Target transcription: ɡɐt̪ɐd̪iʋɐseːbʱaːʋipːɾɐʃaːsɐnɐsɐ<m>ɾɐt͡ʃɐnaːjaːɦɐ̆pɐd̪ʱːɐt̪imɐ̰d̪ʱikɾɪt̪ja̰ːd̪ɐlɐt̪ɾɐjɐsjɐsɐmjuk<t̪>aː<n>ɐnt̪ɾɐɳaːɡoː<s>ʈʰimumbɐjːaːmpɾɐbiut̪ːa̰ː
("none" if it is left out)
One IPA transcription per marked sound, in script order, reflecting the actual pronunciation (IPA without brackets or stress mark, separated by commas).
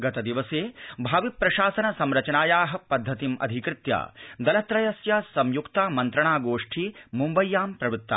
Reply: m, t̪, m, ʂ